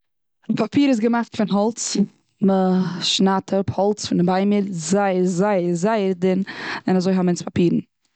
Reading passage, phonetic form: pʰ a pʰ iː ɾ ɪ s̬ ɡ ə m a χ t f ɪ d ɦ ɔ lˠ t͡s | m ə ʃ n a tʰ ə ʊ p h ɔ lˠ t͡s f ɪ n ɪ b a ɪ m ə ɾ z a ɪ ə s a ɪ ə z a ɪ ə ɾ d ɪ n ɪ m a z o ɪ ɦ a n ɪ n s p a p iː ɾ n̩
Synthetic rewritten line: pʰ a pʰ iː ɾ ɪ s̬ ɡ ə m a χ t f ɪ n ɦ ɔ lˠ t͡s | m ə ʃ n a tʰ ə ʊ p h ɔ lˠ t͡s f ɪ n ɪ b a ɪ m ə ɾ z a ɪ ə z a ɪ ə z a ɪ ə ɾ d ɪ n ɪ n a z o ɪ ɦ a m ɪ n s p a p iː ɾ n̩